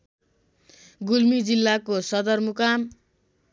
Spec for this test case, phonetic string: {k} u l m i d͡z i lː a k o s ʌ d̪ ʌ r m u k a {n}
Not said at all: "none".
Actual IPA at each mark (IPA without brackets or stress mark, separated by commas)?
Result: ɡ, m